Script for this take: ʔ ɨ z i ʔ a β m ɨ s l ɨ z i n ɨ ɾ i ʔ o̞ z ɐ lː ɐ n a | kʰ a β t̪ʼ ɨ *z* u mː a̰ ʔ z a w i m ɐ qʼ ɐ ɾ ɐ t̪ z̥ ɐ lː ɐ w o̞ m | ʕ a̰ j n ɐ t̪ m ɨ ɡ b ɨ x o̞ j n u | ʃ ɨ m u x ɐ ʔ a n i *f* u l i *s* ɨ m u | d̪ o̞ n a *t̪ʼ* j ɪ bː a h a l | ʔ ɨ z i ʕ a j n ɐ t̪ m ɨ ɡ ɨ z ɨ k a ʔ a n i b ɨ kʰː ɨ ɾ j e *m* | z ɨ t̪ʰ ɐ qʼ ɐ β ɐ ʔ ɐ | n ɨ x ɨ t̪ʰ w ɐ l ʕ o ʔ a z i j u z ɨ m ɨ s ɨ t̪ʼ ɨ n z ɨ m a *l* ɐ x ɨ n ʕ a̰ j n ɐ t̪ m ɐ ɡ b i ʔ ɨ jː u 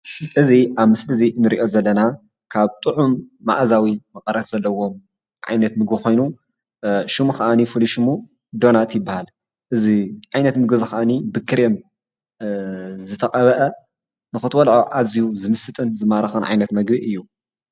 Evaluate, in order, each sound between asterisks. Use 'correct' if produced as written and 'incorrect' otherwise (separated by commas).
incorrect, correct, incorrect, incorrect, correct, incorrect